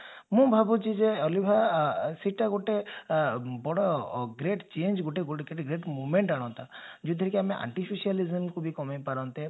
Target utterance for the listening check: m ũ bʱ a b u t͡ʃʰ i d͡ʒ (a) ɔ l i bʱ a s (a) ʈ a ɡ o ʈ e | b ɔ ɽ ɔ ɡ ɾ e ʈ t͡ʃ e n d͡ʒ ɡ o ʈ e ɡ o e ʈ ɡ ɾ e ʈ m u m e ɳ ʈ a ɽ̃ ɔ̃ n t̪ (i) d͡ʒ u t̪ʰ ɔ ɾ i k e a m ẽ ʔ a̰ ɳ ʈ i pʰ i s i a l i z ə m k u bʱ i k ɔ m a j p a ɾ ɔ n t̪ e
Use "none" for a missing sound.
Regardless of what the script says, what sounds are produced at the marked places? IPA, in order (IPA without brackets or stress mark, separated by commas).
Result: e, i, a